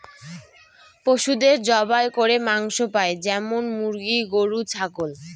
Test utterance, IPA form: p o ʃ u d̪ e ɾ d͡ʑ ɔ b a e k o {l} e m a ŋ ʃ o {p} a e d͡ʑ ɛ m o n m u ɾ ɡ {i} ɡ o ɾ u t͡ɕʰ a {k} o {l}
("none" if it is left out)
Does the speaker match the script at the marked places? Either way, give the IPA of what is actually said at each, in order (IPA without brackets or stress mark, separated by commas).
ɾ, p, i, k, l